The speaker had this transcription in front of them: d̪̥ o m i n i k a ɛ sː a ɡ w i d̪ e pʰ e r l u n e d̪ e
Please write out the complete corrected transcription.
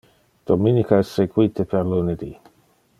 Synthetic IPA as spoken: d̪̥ o m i n i k a ɛ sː e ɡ w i t̪ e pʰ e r l u n e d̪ i